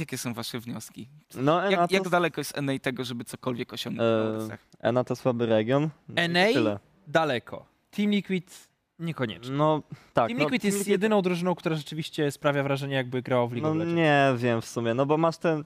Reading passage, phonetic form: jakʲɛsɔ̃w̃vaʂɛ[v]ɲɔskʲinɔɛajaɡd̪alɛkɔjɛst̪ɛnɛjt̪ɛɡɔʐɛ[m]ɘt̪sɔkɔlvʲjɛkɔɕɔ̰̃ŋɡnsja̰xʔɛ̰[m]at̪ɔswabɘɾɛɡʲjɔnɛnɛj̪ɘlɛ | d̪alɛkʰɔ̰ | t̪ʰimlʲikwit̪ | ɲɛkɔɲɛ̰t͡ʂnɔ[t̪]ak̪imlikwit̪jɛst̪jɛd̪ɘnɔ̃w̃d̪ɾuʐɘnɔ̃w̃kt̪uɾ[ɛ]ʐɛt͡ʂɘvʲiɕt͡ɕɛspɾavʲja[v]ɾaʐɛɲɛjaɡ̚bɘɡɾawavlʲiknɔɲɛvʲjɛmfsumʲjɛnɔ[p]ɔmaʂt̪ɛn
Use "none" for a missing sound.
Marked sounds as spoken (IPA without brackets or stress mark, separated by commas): v, b, n, t̪, a, v, b